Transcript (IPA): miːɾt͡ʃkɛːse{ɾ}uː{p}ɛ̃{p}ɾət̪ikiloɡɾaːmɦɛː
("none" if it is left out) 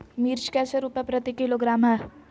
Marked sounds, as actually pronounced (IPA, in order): ɾ, p, p

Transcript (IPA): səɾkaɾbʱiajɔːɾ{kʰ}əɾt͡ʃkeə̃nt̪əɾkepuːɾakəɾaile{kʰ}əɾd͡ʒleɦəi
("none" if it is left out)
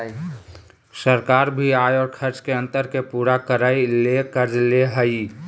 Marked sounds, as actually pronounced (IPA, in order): kʰ, k

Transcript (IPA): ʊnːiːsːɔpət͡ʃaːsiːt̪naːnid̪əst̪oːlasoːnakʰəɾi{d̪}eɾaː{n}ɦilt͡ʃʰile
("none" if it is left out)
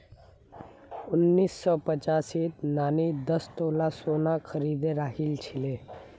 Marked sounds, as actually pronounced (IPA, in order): d̪, none

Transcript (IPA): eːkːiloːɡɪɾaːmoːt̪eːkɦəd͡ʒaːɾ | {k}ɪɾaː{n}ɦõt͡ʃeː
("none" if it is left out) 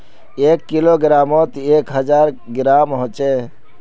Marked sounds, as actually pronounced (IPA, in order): ɡ, m

